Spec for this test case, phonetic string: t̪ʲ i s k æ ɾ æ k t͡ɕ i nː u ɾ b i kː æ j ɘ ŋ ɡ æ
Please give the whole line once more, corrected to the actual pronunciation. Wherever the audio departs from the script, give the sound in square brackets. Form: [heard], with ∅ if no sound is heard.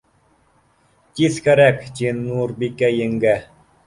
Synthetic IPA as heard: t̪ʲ i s k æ ɾ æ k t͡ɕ i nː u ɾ b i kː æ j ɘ ŋ ɡ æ